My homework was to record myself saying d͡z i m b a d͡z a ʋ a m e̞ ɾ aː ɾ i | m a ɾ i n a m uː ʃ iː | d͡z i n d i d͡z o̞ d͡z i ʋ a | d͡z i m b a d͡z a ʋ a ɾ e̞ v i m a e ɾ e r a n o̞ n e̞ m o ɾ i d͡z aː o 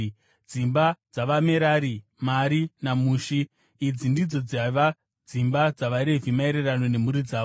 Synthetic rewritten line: d͡z i m b a d͡z a ʋ a m e̞ ɾ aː ɾ i | m a ɾ i n a m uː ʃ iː | d͡z i n d i d͡z o̞ d͡z a ʋ a | d͡z i m b a d͡z a ʋ a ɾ e̞ v i m a e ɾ e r a n o̞ n e̞ m u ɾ i d͡z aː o